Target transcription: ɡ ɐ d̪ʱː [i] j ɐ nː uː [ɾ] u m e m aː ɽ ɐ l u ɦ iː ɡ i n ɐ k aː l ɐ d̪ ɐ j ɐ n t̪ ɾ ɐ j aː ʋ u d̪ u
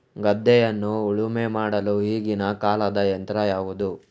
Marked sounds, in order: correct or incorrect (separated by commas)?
incorrect, incorrect